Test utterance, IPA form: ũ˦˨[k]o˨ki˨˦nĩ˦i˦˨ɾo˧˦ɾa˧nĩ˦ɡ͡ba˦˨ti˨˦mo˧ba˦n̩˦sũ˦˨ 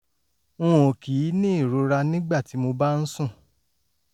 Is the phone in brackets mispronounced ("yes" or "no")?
yes